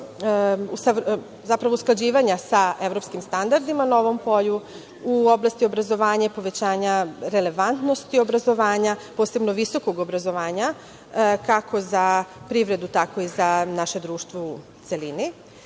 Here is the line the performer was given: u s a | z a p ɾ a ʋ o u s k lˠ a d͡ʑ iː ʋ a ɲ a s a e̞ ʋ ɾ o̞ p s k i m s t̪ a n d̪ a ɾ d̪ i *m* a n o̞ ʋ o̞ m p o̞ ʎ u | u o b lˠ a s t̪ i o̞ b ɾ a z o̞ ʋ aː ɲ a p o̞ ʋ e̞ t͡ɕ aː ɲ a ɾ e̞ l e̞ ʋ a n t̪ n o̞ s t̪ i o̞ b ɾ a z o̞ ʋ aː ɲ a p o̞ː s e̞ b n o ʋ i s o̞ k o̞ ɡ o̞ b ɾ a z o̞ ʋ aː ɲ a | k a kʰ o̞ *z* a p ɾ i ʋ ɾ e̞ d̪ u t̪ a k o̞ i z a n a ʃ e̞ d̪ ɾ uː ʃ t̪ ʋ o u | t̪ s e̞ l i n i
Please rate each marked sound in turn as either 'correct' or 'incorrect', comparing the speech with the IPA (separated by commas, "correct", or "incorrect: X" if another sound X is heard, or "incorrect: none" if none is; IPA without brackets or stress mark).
correct, correct